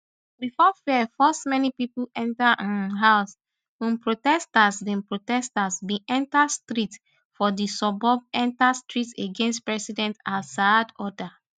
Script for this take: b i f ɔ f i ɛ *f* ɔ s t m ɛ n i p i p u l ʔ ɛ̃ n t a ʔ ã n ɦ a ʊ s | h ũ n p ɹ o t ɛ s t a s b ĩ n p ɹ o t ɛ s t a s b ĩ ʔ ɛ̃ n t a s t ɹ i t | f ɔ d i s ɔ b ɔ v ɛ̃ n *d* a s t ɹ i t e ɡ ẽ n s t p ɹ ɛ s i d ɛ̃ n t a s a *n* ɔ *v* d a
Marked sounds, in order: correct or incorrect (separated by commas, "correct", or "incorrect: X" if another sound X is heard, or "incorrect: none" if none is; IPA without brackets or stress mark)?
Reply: correct, incorrect: t, incorrect: d, incorrect: none